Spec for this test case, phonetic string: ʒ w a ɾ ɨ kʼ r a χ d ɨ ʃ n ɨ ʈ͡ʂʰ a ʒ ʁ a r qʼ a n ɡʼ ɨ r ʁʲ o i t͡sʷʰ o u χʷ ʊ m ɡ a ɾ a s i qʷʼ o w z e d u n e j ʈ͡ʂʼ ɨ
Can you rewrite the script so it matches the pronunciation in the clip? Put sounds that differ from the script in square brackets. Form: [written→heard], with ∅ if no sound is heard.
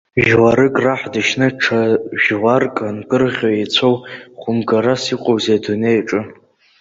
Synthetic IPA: ʒ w a ɾ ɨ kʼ r a [χ→ħ] d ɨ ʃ n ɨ ʈ͡ʂʰ a ʒ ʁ a r [qʼ→kʼ] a n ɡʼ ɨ r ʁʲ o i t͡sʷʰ o [u→w] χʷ ʊ m ɡ a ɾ a s i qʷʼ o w z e d u n e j ʈ͡ʂʼ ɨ